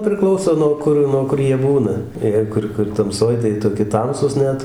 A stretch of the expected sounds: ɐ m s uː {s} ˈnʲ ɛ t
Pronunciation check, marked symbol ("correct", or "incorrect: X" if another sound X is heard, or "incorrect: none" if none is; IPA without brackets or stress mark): correct